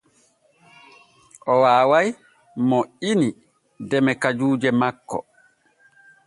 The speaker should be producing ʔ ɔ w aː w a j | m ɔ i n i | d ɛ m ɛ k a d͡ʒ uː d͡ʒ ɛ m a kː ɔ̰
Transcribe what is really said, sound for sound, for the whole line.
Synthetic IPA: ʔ ɔ w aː w a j | m ɔ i n i | d ɛ m ɛ k a d͡ʒ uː d͡ʒ ɛ m a kː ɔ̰